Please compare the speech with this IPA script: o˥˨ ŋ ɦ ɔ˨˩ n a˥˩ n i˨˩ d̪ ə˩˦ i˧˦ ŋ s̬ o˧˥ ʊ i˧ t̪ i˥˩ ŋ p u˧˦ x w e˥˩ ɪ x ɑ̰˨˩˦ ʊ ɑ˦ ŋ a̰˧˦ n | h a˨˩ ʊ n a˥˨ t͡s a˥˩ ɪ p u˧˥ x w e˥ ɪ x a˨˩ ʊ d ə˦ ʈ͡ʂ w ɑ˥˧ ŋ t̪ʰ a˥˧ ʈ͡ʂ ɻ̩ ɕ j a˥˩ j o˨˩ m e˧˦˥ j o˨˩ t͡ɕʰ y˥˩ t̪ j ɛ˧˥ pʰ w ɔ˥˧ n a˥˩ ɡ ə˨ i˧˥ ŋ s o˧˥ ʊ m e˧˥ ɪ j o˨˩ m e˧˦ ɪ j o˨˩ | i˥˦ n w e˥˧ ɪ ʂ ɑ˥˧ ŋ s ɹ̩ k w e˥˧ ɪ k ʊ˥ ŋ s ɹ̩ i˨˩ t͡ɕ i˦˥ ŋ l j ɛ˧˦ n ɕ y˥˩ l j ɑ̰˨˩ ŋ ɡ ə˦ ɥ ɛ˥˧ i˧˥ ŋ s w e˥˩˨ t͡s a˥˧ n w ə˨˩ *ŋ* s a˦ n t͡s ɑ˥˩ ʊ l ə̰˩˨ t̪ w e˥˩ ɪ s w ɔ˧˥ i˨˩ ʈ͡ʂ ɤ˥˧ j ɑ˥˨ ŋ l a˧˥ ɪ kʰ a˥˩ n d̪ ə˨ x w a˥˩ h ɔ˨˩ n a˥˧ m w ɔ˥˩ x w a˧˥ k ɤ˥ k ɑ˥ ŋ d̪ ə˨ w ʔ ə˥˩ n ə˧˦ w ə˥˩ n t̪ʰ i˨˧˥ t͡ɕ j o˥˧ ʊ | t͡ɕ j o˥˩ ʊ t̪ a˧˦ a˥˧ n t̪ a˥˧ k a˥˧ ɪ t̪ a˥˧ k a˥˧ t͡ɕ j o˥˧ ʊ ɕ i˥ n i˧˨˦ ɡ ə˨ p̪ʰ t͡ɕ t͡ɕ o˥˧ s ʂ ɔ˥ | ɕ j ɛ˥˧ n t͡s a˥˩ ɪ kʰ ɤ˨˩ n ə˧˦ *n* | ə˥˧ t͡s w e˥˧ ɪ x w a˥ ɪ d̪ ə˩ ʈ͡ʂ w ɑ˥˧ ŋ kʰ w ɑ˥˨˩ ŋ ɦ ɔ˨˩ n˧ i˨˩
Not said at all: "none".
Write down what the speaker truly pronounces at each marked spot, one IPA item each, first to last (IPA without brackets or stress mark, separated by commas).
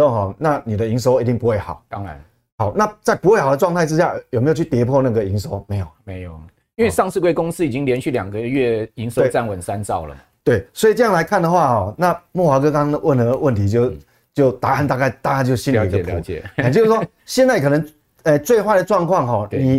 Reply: n, ŋ